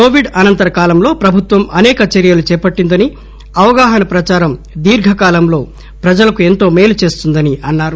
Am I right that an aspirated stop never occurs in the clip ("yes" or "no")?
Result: yes